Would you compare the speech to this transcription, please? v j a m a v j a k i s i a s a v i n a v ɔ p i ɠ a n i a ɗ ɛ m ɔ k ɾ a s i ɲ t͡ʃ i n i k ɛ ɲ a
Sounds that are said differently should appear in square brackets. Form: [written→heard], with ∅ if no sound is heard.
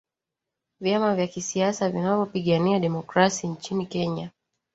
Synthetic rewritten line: v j a m a v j a k i s i a s a v i n a v ɔ p i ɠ a n i a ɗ ɛ m ɔ k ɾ a s i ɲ t͡ʃ i n i k ɛ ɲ a